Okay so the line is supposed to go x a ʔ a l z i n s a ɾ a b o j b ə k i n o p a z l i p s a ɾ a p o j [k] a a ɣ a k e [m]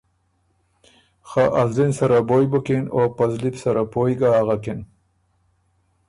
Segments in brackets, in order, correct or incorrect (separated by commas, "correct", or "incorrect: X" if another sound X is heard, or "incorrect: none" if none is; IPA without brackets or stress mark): incorrect: ɡ, incorrect: n